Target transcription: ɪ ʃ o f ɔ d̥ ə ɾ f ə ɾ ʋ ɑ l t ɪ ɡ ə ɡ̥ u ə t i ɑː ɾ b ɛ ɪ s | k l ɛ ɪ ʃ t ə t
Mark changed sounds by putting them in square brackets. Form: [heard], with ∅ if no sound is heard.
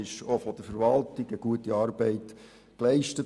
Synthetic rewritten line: ɪ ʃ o f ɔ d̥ ə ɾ f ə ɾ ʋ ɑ l t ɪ ɡ ə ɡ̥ u ə t i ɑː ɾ b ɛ ɪ [t] | k l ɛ ɪ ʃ t ə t